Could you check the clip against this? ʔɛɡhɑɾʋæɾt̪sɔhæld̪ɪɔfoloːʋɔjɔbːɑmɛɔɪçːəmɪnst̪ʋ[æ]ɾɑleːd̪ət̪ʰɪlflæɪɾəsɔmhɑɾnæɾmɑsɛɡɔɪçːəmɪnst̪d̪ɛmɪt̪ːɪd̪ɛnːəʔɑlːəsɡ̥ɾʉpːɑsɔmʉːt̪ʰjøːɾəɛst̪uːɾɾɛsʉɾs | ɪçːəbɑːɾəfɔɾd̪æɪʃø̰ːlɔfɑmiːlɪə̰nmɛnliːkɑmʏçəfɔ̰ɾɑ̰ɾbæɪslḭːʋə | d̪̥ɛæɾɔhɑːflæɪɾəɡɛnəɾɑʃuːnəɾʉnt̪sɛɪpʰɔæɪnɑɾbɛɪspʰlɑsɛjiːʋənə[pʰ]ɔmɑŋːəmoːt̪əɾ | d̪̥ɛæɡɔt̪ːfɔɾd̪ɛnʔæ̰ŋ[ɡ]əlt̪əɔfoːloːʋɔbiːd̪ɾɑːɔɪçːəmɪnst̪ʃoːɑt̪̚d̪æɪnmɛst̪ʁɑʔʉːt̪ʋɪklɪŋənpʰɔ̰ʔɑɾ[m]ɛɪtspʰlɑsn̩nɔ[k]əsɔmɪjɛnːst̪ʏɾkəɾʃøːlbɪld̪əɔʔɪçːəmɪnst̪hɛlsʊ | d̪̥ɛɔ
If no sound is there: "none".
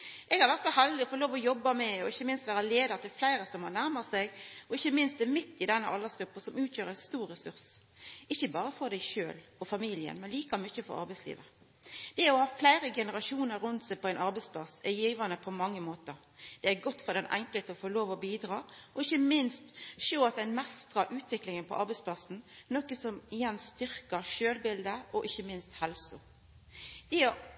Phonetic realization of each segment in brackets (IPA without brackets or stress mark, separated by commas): æː, pʰ, k, b, k